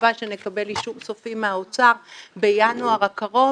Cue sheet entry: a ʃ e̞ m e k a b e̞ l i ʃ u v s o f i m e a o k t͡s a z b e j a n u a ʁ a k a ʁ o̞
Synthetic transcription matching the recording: a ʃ e̞ n e k a b e̞ l i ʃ u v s o f i m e a o t͡s a ʁ b e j a n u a ʁ a k a ʁ o̞